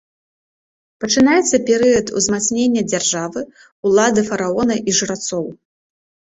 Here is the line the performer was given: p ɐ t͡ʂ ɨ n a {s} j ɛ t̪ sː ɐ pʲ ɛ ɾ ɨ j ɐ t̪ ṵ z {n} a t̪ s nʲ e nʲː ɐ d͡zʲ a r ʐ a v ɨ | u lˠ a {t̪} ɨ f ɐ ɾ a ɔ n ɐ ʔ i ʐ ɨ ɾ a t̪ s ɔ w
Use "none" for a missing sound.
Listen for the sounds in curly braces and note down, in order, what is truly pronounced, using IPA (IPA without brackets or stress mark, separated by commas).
none, m, d̪